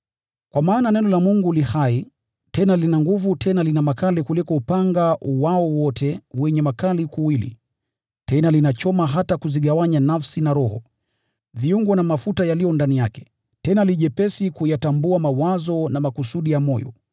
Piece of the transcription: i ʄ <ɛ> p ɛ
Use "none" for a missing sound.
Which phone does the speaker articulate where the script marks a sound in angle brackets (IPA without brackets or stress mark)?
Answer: ɛ